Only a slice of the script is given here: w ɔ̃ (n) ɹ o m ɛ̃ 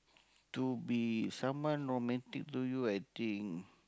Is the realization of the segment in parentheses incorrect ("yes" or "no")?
no